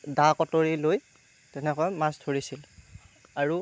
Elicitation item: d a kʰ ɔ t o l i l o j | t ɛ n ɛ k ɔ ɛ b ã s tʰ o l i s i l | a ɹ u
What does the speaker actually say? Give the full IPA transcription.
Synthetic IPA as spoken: d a k ɔ t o ɹ i l o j | t ɛ n ɛ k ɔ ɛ m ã s tʰ o ɹ i s i l | a ɹ u